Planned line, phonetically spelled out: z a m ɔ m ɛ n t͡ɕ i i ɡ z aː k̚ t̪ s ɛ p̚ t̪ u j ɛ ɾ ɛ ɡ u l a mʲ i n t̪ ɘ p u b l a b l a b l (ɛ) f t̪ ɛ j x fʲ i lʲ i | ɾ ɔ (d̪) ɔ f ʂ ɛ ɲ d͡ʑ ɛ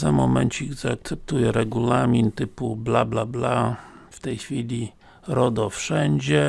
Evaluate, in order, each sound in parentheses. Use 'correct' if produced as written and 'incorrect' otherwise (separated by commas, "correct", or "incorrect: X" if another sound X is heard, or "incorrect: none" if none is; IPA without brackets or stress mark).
incorrect: a, correct